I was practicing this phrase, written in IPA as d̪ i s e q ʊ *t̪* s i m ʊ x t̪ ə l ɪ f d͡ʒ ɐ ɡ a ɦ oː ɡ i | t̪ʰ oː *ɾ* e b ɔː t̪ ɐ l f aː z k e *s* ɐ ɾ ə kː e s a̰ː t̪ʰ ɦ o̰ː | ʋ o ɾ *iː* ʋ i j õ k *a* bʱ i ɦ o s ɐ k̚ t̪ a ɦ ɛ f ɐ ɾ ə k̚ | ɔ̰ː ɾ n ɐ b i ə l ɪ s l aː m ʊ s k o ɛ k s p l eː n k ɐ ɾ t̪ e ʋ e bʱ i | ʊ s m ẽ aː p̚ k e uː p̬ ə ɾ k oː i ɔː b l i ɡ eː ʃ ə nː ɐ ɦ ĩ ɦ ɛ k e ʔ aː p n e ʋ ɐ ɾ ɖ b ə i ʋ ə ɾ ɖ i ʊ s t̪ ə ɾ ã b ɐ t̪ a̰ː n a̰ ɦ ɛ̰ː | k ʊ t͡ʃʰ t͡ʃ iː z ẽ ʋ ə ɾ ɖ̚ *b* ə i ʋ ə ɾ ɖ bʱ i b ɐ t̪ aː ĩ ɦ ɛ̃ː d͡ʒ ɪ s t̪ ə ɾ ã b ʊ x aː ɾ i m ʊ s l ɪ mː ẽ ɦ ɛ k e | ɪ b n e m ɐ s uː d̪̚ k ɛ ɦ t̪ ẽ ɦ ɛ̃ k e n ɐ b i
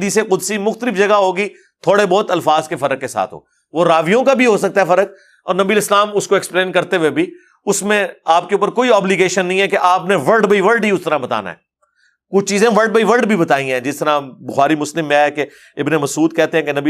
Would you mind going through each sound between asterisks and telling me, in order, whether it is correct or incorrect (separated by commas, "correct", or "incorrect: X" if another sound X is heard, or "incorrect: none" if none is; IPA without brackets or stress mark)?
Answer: incorrect: d̪, incorrect: ɽ, incorrect: f, incorrect: aː, correct, correct